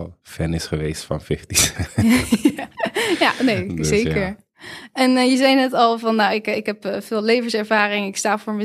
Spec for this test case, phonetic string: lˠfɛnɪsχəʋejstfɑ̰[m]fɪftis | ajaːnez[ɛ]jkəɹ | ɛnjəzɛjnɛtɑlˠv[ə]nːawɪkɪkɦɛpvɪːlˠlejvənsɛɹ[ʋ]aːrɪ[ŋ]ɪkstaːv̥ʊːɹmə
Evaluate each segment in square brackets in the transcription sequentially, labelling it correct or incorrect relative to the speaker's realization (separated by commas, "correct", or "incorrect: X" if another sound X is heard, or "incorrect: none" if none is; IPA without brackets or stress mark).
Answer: incorrect: n, incorrect: e, incorrect: ɑ, incorrect: v, correct